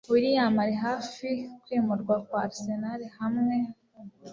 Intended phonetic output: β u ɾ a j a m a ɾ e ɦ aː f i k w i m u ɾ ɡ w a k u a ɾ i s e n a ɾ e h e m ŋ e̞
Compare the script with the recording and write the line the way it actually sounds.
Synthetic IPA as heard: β u ɾ i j a m a ɾ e ɦ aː f i k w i m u ɾ ɡ w a k w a ɾ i s e n a ɾ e h a m ŋ e̞